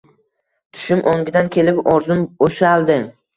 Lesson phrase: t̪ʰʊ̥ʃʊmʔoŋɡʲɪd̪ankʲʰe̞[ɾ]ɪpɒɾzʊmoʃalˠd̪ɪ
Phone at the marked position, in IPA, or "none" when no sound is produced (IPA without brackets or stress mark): l